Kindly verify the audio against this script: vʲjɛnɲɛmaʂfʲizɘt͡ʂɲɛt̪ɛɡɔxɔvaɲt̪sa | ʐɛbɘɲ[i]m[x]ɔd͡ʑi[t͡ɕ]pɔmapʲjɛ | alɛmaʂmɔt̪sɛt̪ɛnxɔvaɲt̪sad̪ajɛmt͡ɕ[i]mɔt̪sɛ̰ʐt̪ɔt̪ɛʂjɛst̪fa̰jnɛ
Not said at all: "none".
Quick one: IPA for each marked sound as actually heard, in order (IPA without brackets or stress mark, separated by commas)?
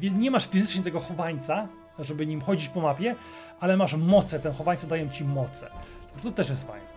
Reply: i, x, t͡ɕ, i